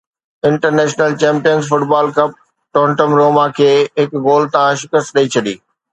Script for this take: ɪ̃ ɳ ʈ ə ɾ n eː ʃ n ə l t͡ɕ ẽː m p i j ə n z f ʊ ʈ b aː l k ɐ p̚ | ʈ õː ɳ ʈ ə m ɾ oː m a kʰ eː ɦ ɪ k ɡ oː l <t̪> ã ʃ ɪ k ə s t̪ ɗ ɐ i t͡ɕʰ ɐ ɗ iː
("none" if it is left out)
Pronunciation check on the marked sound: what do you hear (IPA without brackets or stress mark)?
t̪